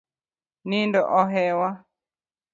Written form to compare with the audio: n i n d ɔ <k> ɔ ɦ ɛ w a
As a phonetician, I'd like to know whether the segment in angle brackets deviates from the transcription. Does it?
yes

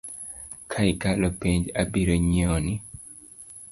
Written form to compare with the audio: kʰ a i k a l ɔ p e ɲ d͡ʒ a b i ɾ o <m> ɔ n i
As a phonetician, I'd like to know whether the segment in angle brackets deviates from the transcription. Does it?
yes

